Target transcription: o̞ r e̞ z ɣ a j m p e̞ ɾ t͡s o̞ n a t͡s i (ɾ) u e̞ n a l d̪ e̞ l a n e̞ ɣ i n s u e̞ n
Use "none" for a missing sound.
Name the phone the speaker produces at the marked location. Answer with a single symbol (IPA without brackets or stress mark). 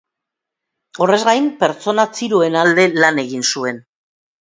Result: ɾ